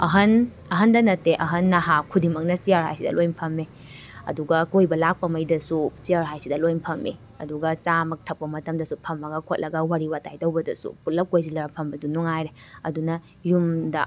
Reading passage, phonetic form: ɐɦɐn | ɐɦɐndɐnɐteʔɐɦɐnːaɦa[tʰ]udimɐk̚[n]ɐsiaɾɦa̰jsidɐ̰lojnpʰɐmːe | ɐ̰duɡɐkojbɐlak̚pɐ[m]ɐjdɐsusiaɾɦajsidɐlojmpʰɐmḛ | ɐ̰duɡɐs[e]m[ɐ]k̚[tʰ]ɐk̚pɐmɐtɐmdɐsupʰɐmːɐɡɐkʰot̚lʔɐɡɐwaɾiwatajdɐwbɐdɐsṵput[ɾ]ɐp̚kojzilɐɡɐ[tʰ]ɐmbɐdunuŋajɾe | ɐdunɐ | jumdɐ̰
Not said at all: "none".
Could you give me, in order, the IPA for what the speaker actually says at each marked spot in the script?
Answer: kʰ, n, m, a, ɐ, tʰ, l, pʰ

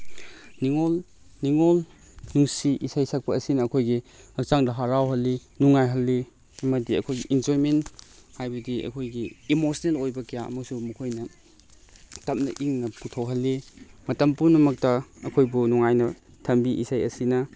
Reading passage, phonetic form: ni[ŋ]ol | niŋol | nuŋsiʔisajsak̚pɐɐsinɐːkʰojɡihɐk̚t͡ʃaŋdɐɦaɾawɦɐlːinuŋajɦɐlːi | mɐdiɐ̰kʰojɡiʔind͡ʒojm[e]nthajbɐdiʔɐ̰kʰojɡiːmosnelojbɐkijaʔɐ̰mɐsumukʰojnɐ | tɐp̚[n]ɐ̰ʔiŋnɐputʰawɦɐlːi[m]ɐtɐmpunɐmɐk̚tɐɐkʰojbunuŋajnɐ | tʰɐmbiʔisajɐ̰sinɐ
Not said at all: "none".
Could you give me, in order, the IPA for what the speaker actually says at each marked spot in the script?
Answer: ŋ, e, n, m

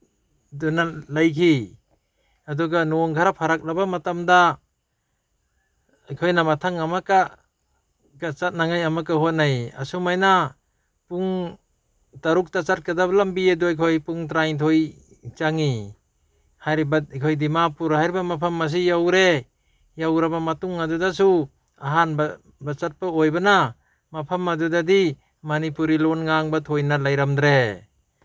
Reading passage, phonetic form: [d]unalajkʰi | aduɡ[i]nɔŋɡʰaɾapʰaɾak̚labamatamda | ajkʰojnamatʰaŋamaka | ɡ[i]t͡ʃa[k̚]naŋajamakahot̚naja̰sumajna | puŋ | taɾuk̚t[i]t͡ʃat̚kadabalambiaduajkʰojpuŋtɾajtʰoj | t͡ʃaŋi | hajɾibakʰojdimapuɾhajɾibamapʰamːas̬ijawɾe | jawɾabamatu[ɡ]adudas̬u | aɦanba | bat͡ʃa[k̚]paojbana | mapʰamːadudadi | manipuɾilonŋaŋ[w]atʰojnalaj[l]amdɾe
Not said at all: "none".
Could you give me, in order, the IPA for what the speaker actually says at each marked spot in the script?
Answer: d, a, a, t̚, a, ŋ, t̚, b, ɾ

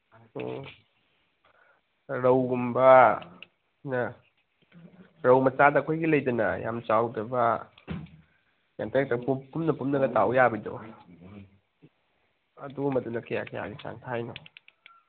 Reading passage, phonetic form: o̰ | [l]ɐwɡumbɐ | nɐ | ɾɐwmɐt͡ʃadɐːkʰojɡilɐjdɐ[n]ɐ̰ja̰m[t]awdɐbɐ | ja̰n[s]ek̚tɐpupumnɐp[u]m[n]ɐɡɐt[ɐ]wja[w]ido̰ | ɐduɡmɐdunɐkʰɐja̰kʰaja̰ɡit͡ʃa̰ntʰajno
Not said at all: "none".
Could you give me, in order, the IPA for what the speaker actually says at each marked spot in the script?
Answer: ɾ, n, t͡ʃ, t, u, n, a, b

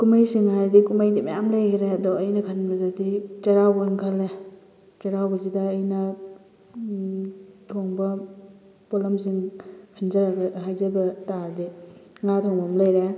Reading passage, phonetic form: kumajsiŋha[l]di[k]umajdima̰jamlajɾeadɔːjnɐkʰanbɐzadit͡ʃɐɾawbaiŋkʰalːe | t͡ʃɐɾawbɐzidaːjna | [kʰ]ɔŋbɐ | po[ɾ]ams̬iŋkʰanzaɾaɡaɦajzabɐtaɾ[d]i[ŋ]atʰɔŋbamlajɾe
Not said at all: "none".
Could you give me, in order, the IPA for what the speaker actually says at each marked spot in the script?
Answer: ɾ, k, tʰ, l, d, ŋ

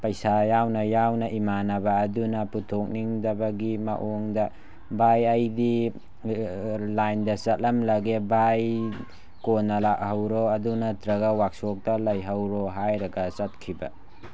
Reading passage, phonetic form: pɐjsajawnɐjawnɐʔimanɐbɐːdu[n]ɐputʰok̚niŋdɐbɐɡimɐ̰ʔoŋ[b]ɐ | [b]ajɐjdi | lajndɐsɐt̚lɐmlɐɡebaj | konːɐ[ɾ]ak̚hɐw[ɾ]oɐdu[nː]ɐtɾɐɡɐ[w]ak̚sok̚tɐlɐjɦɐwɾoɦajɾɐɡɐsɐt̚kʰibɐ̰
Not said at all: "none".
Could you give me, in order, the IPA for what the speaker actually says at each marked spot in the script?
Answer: n, d, b, l, ɾ, n, w

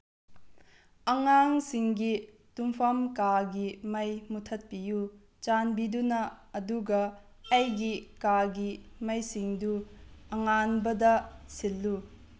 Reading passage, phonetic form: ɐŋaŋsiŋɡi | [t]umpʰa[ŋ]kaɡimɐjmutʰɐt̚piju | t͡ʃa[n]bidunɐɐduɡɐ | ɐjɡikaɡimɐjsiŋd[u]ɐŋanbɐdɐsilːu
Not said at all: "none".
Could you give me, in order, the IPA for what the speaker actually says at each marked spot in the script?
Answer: t, m, n, u

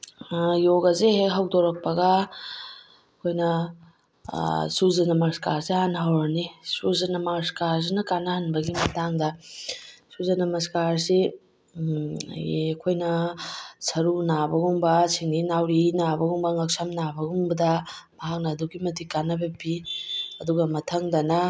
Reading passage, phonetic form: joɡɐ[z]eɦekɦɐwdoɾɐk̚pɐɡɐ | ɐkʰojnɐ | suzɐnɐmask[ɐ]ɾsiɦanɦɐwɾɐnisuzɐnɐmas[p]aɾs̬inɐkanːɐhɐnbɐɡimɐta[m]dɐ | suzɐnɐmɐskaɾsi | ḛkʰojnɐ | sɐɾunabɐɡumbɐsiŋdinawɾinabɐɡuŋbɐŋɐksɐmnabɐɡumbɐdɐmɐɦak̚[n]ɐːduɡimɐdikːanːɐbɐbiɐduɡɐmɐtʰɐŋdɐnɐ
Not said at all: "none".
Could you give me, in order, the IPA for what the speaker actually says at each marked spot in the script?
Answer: z, a, k, ŋ, n

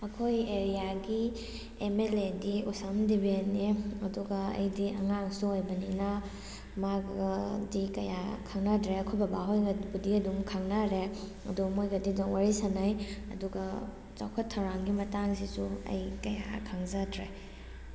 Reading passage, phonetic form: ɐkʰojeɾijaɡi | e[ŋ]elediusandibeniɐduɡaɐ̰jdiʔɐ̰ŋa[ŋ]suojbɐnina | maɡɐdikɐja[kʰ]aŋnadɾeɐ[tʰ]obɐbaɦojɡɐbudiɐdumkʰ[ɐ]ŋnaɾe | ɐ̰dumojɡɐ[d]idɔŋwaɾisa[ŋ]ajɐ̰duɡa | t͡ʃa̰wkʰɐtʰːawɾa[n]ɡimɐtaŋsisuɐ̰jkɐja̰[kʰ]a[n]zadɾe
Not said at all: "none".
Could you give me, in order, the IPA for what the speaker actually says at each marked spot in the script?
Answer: m, ŋ, kʰ, kʰ, a, d, n, ŋ, kʰ, ŋ

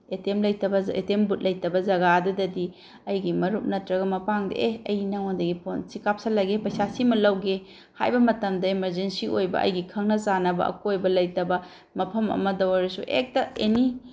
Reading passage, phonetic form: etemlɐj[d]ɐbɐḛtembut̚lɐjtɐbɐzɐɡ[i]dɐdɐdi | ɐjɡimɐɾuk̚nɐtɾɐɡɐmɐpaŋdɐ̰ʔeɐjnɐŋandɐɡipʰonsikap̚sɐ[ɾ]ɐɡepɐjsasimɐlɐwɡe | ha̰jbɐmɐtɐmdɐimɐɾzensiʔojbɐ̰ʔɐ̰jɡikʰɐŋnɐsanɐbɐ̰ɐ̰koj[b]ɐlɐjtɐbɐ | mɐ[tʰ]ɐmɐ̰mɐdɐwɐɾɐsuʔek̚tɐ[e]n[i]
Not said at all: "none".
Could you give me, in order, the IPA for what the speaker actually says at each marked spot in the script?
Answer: t, a, l, b, pʰ, e, i

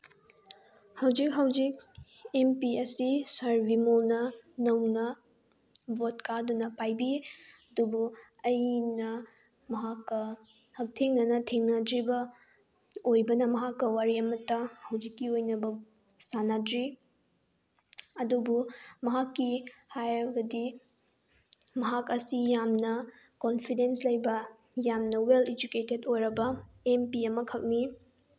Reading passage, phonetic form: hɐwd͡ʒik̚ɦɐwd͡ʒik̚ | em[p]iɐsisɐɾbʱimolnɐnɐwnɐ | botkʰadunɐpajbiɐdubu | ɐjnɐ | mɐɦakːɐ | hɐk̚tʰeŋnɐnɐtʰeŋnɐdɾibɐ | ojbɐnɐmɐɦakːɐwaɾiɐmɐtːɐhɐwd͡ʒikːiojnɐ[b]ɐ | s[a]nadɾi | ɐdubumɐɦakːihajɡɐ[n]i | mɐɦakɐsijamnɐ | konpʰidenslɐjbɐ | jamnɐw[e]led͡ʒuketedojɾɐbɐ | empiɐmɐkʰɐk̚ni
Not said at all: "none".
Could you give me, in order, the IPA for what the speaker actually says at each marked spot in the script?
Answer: p, b, a, d, e

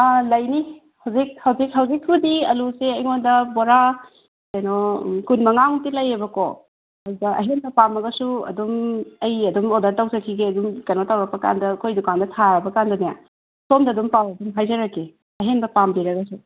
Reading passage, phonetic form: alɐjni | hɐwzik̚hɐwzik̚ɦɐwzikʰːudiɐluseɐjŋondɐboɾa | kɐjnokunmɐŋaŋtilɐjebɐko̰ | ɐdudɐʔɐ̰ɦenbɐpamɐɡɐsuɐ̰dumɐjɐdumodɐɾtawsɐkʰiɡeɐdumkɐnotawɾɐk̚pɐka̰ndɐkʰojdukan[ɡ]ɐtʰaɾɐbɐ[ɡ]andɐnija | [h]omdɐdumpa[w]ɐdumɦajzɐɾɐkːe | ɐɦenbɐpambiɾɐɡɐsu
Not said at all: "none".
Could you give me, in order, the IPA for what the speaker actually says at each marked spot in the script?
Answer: d, k, s, w

